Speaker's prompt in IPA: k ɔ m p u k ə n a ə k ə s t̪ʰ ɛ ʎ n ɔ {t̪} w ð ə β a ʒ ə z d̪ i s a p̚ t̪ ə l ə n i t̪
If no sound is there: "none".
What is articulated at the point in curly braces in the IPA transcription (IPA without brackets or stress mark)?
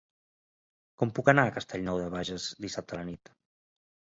none